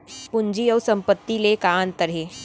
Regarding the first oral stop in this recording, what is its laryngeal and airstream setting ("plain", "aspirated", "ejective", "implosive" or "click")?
plain